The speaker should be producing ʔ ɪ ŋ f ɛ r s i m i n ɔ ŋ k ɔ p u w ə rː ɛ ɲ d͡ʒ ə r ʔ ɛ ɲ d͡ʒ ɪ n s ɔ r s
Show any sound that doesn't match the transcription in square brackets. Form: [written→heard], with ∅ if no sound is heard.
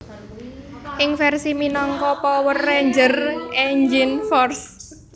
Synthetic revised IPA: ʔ ɪ ŋ f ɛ r s i m i n ɔ ŋ k ɔ p [u→ɔ] w ə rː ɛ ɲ d͡ʒ ə r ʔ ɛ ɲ d͡ʒ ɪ n [s→f] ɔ r s